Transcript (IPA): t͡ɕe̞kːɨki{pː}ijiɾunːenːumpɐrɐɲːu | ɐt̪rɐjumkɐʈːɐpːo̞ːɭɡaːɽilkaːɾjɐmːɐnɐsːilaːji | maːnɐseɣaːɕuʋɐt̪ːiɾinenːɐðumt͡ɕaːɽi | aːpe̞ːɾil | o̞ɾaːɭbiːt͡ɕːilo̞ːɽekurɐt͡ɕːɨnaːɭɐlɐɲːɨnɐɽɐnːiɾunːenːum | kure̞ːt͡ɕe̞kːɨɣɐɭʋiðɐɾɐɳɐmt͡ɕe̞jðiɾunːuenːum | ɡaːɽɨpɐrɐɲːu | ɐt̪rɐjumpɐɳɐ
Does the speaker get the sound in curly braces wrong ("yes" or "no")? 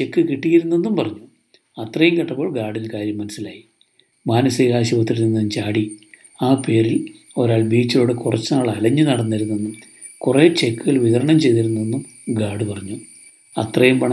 yes